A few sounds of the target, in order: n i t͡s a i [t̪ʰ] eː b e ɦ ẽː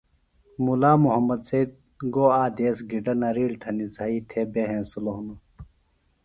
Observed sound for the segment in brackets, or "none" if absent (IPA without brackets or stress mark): t̪ʰ